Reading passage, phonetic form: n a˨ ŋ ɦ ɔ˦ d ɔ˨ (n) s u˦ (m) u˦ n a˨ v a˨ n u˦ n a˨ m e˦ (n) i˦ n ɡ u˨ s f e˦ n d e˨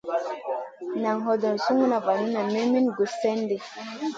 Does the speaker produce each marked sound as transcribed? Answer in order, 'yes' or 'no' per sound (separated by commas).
yes, no, no